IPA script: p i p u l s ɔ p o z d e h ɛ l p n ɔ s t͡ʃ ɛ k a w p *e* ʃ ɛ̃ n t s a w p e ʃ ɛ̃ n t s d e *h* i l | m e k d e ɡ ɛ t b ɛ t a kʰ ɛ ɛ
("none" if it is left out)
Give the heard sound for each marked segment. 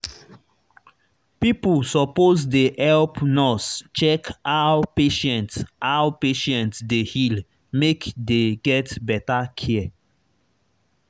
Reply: e, h

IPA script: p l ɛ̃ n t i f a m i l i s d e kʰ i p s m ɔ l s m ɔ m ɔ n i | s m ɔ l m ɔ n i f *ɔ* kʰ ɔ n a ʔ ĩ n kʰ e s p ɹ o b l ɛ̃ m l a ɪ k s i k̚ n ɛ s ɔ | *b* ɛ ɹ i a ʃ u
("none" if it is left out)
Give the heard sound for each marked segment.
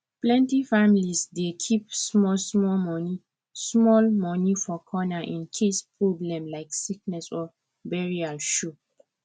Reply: ɔ, b

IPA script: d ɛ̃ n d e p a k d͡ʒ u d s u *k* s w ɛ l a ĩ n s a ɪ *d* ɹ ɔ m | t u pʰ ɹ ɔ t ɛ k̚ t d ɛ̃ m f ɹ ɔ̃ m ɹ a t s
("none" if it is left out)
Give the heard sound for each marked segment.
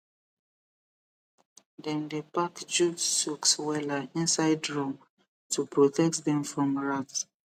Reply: k, d

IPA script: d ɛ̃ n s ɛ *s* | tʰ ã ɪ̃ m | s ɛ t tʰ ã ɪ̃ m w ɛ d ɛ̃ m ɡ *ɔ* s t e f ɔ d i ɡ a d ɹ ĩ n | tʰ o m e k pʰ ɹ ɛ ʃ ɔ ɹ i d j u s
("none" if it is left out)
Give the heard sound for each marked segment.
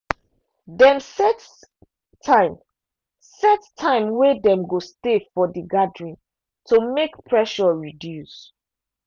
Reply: t, o

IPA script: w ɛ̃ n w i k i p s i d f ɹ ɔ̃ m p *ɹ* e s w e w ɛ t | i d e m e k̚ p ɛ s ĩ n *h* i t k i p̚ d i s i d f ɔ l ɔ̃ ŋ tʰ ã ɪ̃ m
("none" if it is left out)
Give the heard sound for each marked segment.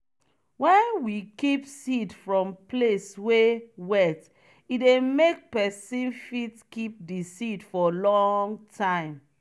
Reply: l, f

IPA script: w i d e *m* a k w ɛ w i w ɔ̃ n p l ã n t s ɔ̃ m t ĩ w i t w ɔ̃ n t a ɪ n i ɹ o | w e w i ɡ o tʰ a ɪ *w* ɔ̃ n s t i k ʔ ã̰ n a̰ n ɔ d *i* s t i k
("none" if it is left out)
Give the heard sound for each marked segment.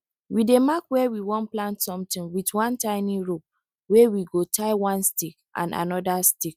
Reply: m, w, a

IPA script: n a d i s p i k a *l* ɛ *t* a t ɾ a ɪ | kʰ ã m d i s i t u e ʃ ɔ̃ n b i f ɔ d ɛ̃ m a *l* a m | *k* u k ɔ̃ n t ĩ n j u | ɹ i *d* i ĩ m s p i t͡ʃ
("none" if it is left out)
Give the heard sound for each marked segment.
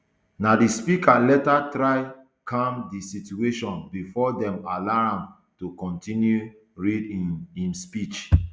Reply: l, t, l, t, d

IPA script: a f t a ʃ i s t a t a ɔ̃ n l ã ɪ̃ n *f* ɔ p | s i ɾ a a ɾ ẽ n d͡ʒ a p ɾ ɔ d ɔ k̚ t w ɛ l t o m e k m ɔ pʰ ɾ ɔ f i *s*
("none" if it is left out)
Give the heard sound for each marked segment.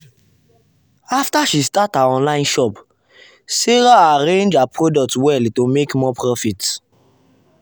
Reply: ʃ, t

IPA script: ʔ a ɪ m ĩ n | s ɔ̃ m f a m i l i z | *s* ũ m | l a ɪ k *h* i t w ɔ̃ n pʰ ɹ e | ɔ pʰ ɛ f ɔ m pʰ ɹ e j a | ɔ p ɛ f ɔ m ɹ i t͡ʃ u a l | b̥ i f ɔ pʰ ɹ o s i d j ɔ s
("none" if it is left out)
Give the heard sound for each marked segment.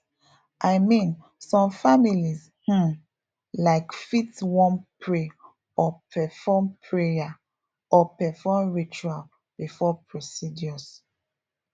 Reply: h, f

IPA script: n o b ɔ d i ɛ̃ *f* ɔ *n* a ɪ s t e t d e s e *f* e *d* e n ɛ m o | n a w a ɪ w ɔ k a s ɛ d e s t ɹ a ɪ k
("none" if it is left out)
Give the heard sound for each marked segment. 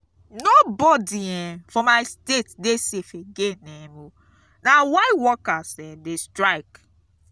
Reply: f, m, f, ɡ

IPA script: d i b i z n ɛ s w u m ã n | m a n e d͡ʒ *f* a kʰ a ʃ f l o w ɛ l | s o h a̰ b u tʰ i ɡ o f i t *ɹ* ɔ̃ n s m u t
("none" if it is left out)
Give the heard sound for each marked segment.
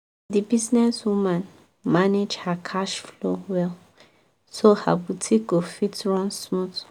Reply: h, ɹ

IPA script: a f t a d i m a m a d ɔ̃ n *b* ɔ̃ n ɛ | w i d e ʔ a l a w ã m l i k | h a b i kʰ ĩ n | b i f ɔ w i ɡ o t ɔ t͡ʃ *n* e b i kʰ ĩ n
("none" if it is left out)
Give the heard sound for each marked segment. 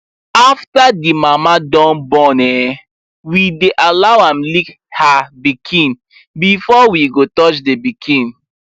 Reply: b, d

